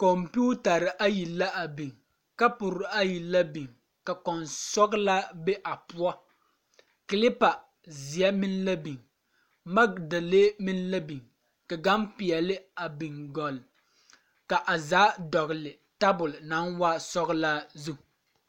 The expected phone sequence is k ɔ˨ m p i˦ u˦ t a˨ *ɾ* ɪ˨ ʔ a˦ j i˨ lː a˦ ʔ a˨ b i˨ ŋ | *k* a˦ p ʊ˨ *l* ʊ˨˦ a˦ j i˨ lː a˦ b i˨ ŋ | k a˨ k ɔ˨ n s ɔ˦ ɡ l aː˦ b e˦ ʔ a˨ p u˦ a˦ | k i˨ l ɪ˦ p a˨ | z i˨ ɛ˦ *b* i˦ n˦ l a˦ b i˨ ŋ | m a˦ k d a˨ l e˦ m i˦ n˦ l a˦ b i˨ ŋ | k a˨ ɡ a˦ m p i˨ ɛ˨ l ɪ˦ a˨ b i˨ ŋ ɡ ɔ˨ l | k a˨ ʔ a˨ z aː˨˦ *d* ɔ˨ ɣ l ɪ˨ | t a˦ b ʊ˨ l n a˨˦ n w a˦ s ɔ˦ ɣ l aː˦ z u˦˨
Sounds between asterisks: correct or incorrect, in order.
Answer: correct, correct, incorrect, incorrect, correct

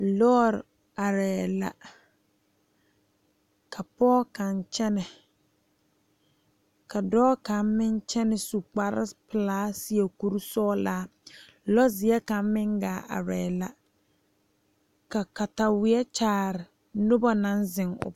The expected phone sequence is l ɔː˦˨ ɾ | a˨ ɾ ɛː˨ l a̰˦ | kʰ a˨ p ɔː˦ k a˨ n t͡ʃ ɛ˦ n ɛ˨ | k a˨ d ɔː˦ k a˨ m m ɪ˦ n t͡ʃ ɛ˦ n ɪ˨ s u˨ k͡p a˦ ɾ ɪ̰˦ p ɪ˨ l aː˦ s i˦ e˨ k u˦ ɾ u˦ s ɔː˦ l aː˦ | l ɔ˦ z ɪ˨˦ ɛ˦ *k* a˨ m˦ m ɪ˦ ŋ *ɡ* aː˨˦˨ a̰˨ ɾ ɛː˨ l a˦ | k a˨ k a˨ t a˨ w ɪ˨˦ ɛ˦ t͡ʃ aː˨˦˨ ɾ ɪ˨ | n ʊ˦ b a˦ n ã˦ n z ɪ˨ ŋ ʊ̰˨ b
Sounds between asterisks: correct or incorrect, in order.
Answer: correct, correct

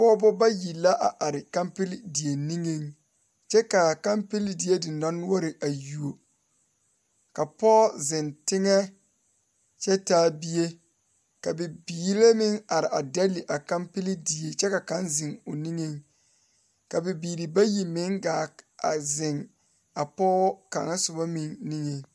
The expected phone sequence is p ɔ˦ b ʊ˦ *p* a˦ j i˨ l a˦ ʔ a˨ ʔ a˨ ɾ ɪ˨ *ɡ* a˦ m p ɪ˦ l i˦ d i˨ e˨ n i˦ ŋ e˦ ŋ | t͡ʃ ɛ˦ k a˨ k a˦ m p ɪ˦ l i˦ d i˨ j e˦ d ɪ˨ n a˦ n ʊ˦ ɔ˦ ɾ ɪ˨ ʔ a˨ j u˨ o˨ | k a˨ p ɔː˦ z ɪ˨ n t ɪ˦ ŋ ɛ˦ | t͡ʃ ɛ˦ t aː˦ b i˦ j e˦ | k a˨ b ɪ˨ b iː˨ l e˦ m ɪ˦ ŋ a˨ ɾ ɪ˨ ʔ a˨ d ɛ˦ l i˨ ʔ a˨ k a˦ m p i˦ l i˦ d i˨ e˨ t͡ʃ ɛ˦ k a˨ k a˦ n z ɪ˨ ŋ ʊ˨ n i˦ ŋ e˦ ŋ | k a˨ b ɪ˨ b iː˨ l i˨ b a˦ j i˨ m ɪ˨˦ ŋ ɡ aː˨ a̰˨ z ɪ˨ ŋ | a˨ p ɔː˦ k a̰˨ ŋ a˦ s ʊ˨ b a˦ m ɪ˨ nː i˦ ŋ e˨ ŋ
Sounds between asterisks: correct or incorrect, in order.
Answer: incorrect, incorrect

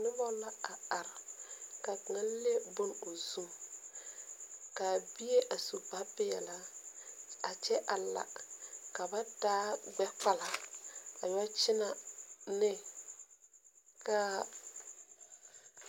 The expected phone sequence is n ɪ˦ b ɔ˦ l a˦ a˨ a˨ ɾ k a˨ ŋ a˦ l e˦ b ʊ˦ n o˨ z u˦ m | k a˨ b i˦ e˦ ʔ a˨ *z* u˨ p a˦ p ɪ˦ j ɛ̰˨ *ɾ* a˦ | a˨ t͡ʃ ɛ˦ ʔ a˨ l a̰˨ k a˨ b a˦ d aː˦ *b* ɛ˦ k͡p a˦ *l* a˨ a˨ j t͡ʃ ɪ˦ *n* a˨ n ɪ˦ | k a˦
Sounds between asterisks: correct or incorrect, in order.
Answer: incorrect, incorrect, incorrect, correct, correct

